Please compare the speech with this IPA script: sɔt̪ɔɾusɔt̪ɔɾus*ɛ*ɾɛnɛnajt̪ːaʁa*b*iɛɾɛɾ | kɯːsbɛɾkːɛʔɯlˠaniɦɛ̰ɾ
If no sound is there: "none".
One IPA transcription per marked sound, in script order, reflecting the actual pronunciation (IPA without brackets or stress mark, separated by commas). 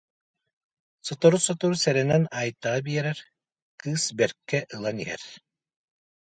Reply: ɛ, b